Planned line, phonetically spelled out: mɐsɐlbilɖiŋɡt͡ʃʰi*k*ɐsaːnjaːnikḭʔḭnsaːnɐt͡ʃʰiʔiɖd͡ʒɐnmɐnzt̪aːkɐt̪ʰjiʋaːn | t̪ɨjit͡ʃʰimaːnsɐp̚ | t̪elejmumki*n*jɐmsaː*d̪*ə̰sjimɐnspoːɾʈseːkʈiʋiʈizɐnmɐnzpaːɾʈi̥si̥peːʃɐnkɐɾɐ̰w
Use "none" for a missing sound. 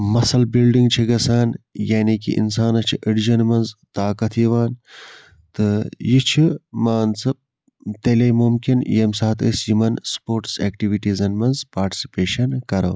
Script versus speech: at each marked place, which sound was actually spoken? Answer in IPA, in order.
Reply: ɡ, n, t̪

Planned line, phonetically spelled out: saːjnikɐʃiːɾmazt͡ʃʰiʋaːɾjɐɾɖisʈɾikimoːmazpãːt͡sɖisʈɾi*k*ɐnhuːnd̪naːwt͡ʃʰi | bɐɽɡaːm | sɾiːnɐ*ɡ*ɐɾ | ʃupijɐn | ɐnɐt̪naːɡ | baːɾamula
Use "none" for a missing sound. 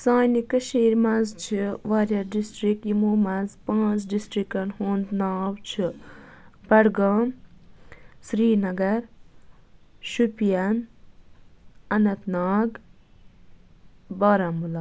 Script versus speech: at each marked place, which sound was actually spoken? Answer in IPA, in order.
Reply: k, ɡ

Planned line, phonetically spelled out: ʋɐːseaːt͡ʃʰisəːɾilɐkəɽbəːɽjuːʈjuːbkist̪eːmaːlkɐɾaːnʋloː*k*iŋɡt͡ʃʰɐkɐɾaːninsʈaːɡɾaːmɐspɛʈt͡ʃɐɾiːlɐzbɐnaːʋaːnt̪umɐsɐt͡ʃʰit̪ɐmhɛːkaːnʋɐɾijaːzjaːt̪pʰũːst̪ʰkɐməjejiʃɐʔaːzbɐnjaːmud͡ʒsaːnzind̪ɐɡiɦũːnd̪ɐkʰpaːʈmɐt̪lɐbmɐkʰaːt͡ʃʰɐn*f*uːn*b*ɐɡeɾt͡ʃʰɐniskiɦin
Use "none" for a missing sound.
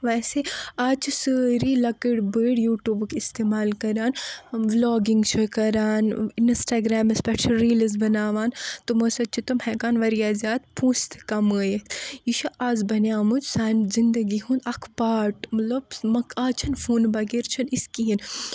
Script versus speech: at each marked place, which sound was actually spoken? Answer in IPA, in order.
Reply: ɡ, f, b

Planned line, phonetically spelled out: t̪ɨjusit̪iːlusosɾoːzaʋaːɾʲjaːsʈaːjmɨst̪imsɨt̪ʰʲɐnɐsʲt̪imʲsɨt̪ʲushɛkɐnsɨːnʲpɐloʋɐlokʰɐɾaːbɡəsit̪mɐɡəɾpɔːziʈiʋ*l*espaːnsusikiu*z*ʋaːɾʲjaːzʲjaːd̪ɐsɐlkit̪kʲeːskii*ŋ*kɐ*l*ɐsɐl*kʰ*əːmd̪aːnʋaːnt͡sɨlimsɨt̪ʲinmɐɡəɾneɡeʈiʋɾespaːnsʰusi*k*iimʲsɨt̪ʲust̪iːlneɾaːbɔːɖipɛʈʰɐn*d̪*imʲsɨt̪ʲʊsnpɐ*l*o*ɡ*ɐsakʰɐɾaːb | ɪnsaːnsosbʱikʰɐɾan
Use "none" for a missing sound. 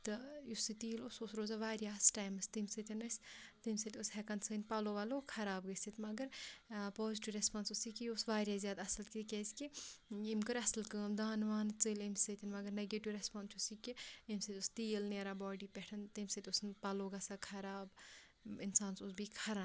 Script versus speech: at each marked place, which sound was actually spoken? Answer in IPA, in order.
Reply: ɾ, s, m, ɾ, k, k, t̪, l, ɡ

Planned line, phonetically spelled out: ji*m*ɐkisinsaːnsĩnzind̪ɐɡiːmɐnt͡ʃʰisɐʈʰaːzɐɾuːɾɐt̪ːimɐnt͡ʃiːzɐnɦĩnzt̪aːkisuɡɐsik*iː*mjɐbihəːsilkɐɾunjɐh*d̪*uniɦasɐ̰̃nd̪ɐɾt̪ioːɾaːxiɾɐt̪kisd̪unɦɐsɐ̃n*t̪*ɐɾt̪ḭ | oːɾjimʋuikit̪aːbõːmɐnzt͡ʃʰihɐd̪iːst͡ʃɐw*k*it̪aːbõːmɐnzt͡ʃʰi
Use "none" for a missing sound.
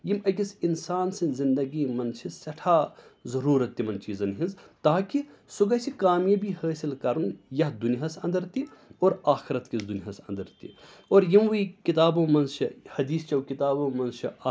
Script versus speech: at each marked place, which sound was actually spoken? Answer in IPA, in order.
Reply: m, aː, d̪, d̪, k

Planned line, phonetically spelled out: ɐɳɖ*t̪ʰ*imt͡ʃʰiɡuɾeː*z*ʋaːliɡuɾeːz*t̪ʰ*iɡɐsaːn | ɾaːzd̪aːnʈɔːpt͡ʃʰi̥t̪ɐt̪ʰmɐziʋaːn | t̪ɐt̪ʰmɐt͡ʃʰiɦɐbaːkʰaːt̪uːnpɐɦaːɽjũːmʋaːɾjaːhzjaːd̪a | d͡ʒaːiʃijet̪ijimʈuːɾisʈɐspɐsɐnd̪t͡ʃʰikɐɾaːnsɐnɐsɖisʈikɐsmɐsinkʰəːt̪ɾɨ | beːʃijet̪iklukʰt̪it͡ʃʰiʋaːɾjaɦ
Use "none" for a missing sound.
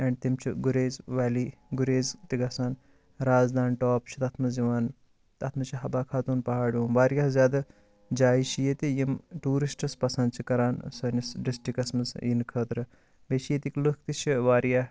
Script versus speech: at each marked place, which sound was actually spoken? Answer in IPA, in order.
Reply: t̪, z, t̪

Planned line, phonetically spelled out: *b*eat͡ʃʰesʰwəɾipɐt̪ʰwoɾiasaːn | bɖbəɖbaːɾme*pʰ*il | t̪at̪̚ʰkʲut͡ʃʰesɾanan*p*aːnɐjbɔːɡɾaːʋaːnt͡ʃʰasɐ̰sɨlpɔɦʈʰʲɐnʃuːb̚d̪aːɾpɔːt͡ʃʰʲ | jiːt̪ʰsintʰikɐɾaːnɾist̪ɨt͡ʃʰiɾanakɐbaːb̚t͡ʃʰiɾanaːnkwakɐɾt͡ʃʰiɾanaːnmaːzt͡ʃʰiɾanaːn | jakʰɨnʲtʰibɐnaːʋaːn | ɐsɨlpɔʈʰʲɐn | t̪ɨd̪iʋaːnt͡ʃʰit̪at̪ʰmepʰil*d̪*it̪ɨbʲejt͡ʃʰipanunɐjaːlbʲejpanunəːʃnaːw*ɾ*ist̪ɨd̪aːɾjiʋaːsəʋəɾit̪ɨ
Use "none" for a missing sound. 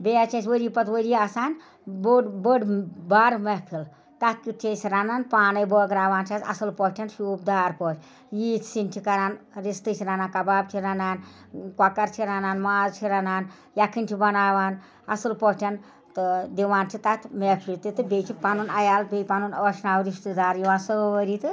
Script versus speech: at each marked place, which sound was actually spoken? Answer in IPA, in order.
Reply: b, pʰ, p, t̪, ɾ

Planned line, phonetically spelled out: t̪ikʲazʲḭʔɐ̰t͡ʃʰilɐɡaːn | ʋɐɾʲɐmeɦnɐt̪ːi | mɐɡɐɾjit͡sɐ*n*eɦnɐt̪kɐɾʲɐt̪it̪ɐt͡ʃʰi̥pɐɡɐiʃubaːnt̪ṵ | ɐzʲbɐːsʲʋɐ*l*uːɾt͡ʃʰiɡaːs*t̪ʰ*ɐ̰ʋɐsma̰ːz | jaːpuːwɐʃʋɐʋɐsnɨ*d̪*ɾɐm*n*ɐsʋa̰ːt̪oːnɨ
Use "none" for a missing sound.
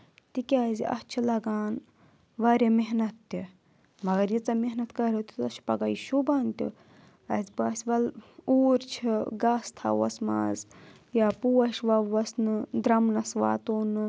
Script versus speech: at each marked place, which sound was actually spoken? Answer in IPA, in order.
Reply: m, l, t̪ʰ, d̪, n

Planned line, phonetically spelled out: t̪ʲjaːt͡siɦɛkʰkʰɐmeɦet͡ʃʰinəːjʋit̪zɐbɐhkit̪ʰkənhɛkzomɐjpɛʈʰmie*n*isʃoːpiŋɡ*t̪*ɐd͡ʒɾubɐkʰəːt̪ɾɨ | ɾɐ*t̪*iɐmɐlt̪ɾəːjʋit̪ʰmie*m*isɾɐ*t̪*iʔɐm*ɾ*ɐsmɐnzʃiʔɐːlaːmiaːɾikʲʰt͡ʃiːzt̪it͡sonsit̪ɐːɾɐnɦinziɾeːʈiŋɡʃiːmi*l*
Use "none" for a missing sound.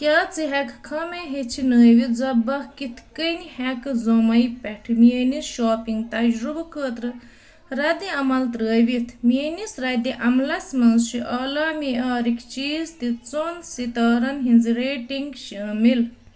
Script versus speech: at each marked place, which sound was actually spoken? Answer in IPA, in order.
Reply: n, t̪, d̪, n, d̪, l, l

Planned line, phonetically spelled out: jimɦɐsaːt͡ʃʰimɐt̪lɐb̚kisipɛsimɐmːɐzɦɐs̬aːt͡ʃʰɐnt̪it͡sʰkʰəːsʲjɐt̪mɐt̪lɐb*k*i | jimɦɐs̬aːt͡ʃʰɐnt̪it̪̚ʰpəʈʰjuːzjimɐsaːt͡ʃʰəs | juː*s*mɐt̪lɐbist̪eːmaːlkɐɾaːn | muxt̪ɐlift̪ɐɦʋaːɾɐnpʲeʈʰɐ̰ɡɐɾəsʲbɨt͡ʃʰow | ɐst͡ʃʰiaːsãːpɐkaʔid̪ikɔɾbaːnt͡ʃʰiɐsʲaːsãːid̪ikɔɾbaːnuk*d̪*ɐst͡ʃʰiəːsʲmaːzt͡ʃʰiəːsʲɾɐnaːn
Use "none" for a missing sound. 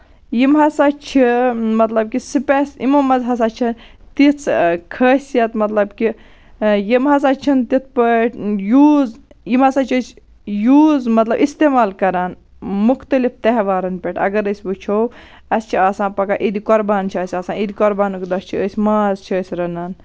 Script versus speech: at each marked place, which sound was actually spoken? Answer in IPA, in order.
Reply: k, z, d̪

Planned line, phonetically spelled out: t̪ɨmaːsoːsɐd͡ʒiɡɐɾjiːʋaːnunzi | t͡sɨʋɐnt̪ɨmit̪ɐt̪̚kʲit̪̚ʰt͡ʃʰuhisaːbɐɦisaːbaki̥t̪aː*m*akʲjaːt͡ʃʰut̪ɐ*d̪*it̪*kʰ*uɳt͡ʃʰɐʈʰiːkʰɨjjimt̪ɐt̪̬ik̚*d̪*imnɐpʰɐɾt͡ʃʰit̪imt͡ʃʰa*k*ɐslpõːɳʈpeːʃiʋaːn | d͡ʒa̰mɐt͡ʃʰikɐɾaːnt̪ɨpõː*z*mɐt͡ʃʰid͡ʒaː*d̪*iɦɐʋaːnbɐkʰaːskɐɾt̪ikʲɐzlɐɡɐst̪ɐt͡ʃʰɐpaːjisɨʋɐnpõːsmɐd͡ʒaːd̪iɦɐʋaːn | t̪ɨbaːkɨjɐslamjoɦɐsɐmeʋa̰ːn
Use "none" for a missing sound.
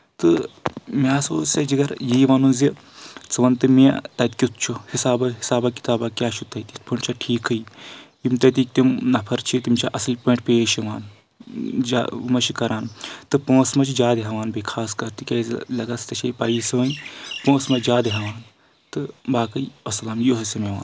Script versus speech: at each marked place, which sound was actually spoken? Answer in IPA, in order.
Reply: b, t̪, pʰ, t̪, ʔ, s, d̪

